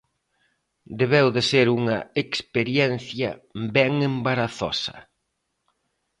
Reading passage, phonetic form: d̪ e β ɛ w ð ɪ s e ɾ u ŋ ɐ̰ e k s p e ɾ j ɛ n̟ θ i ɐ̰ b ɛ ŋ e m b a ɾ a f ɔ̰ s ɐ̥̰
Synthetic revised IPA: d̪ e β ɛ w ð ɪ s e ɾ u ŋ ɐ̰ e k s p e ɾ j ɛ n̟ θ j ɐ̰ b ɛ ŋ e m b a ɾ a θ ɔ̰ s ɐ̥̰